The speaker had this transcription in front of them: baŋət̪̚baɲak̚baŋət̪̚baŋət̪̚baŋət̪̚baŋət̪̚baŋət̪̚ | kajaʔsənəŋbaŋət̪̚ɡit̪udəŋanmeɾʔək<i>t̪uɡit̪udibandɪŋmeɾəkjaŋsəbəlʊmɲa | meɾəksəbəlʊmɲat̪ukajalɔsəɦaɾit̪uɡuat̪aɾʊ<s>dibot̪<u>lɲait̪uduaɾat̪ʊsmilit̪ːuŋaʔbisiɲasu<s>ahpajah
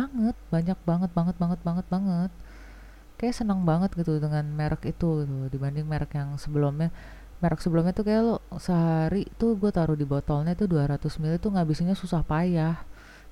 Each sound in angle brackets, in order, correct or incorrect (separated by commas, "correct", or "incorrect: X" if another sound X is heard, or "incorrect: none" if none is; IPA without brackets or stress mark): correct, incorrect: h, incorrect: ɔ, correct